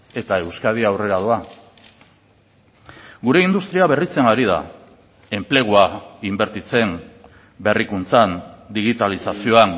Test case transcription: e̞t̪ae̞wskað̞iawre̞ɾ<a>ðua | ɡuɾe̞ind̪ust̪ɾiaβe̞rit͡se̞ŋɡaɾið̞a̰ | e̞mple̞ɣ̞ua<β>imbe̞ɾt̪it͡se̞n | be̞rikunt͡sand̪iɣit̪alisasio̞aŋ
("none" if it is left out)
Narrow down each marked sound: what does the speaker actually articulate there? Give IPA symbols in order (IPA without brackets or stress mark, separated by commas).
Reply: a, none